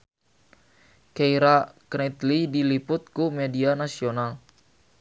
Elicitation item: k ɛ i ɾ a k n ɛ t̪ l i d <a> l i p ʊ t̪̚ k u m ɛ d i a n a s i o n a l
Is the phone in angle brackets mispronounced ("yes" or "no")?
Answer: yes